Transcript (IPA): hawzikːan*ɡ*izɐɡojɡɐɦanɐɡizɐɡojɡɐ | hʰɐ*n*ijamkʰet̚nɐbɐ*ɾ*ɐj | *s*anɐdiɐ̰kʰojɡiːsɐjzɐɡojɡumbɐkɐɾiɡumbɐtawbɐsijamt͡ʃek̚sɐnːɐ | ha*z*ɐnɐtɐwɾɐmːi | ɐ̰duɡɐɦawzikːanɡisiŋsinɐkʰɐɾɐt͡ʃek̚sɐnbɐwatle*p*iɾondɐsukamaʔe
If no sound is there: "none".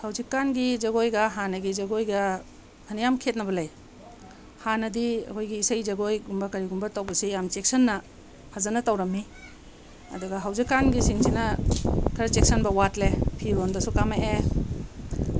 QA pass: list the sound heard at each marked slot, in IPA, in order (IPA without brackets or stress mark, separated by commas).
ɡ, n, l, h, z, pʰ